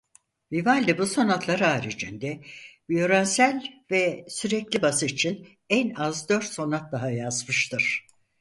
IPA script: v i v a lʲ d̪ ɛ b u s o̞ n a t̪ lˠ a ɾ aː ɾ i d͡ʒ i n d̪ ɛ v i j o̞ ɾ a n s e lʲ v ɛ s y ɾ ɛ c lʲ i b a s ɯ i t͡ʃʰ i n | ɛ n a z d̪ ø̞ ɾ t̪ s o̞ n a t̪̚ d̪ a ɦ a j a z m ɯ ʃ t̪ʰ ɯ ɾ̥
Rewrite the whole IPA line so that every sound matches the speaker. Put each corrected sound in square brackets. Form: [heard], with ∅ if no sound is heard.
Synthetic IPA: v i v a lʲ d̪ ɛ b u s o̞ n a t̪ lˠ a ɾ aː ɾ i d͡ʒ i n d̪ ɛ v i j o̞ ɾ a n s [æ] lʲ v ɛ s y ɾ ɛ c lʲ i b a s ɯ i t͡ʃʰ i n | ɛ n a z d̪ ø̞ ɾ t̪ s o̞ n a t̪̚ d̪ a ɦ a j a z m ɯ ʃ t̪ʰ ɯ ɾ̥